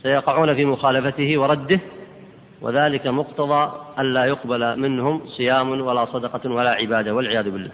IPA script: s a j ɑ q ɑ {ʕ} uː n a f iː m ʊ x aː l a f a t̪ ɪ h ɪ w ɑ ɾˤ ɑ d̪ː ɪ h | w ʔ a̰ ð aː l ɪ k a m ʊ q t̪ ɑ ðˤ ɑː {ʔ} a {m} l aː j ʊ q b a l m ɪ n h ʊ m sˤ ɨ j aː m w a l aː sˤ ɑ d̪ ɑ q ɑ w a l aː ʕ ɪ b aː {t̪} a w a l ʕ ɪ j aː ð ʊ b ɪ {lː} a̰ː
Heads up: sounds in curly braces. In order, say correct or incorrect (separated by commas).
correct, correct, incorrect, incorrect, correct